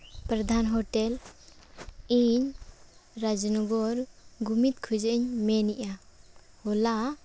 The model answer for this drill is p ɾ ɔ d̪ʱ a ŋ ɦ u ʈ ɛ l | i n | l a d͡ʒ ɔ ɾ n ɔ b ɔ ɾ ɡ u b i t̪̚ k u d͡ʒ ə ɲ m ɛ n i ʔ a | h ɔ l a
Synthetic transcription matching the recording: p ɾ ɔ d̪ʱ a n ɦ ɔ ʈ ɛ l | i ɲ | ɾ a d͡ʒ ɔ n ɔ ɡ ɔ ɾ ɡ u m i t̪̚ kʰ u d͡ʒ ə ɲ m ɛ n i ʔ a | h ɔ l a